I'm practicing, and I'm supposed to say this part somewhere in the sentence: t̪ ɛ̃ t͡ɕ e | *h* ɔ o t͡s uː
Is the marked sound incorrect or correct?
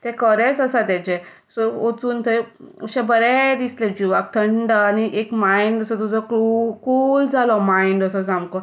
incorrect